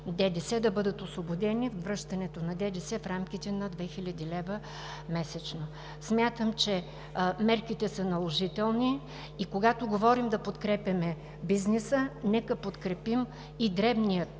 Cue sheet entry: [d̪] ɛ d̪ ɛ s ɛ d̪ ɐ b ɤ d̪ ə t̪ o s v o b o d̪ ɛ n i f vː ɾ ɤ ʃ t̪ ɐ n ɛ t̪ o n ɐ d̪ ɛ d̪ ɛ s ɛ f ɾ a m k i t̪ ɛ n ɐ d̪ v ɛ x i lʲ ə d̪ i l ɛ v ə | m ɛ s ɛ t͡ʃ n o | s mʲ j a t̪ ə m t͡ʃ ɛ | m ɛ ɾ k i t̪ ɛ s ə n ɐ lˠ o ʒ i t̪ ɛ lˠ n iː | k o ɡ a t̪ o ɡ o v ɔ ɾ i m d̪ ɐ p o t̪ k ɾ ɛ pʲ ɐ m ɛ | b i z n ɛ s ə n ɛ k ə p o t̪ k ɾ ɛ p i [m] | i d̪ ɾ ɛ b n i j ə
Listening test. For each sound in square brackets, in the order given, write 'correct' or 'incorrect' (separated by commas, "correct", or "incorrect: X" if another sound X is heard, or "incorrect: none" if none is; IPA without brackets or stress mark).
correct, correct